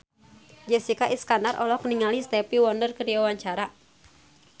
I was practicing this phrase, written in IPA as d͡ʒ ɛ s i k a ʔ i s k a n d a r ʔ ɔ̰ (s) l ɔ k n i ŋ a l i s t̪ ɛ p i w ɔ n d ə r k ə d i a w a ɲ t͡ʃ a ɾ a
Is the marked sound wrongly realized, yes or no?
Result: yes